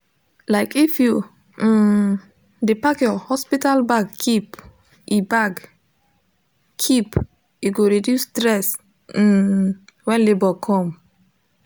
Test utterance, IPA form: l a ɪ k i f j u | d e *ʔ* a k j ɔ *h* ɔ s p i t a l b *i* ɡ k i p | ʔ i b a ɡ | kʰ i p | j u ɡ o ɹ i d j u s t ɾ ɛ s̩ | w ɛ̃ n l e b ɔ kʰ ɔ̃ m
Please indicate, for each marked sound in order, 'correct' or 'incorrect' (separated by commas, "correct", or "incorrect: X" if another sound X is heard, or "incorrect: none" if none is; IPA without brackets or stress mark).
incorrect: p, correct, incorrect: a